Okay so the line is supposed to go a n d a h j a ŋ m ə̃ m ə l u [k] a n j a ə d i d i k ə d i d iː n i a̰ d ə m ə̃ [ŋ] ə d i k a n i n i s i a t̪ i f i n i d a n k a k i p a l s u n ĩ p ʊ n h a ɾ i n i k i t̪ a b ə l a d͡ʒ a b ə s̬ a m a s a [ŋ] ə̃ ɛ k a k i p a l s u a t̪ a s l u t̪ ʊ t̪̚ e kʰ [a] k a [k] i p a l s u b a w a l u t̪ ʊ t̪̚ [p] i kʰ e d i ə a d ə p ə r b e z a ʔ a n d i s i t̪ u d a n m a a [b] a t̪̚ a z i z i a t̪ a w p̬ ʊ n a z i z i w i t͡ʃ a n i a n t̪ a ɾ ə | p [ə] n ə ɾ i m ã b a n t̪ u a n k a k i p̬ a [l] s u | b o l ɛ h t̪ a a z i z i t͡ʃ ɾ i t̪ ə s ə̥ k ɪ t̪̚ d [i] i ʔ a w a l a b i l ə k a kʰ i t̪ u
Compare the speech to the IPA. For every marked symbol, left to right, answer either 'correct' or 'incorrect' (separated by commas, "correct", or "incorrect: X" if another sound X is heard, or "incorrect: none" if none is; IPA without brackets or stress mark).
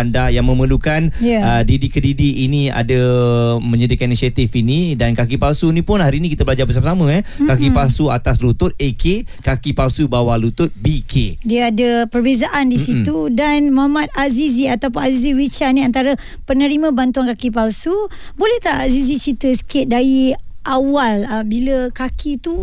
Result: correct, incorrect: ɲ, incorrect: m, incorrect: e, correct, incorrect: b, incorrect: m, correct, correct, incorrect: a